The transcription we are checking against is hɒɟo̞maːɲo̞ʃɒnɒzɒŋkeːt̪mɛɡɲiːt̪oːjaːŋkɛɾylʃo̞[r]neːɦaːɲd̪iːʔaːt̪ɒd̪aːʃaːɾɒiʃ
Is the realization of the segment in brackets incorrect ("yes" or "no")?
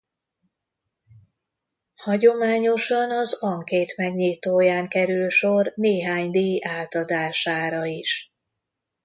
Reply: no